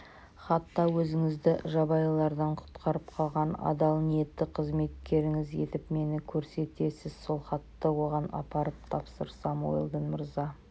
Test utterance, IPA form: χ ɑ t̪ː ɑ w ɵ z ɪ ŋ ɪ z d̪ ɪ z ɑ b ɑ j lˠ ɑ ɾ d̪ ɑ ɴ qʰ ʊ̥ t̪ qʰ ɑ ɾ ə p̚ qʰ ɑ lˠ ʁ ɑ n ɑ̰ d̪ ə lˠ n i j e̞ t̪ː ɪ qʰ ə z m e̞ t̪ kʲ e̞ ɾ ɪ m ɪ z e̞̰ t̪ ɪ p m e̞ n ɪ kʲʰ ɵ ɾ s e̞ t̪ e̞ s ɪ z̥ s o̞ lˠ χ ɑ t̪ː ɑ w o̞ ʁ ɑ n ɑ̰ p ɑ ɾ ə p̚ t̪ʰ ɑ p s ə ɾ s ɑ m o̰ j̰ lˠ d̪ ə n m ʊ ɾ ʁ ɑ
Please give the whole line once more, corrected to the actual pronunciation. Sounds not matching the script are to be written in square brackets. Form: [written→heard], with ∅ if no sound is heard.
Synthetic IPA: χ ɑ t̪ː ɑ w ɵ z ɪ ŋ ɪ z d̪ ɪ [z→ʒ] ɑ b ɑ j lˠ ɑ ɾ d̪ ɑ ɴ qʰ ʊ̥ t̪ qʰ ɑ ɾ ə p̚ qʰ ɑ lˠ ʁ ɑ n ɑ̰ d̪ [ə→ɑ] lˠ n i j e̞ t̪ː ɪ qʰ ə z m e̞ t̪ kʲ e̞ ɾ ɪ [m→ŋ] ɪ z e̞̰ t̪ ɪ p m e̞ n ɪ kʲʰ ɵ ɾ s e̞ t̪ e̞ s ɪ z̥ s o̞ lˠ χ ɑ t̪ː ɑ w o̞ ʁ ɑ n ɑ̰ p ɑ ɾ ə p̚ t̪ʰ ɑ p s ə ɾ s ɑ m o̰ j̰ lˠ d̪ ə n m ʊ ɾ [ʁ→z] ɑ